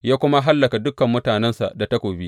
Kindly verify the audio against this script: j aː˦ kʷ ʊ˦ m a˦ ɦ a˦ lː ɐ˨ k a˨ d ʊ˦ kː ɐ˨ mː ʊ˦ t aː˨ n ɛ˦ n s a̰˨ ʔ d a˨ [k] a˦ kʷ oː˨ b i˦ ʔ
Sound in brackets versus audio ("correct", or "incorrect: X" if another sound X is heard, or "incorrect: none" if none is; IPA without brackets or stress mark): incorrect: t